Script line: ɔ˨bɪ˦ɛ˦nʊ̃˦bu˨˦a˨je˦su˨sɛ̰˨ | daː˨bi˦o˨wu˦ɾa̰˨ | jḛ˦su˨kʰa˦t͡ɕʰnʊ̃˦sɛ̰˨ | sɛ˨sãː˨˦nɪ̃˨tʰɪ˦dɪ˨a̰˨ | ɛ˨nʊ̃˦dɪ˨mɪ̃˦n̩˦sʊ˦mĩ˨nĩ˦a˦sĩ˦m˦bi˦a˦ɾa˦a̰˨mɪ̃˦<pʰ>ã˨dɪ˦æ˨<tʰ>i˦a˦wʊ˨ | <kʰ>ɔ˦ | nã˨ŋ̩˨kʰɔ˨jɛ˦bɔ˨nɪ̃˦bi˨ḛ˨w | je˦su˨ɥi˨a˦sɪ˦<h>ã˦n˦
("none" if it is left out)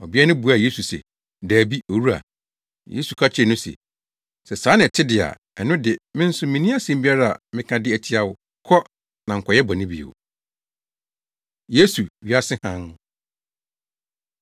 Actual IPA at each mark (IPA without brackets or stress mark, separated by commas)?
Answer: kʰ, tʰ, kʰ, h